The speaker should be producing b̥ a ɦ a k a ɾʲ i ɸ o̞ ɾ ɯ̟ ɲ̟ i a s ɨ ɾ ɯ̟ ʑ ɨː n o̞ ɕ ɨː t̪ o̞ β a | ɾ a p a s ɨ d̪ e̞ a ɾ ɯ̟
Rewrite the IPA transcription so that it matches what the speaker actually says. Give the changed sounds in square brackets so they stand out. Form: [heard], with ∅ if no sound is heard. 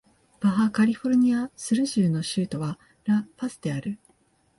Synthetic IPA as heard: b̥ a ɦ a k a ɾʲ i ɸ o̞ ɾ ɯ̟ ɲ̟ i a s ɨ ɾ ɯ̟ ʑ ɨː n o̞ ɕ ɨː t̪ o̞ β a | ɾ a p a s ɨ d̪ e̞ a ɾ ɯ̟